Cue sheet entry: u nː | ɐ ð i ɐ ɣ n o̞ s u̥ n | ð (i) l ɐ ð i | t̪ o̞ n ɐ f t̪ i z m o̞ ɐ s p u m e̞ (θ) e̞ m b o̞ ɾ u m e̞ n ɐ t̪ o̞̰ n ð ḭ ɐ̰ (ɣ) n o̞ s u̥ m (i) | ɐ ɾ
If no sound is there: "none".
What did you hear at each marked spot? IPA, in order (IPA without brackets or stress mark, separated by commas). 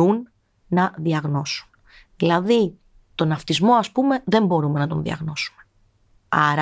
i, ð, ɣ, e